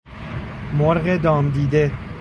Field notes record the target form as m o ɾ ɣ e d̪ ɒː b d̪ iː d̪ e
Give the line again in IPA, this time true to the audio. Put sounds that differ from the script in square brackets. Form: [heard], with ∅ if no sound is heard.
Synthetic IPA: m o ɾ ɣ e d̪ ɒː [m] d̪ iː d̪ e